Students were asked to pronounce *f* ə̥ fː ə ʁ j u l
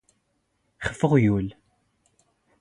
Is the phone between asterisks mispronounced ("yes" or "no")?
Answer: yes